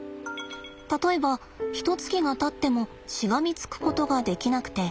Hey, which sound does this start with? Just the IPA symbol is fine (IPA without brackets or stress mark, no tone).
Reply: t̪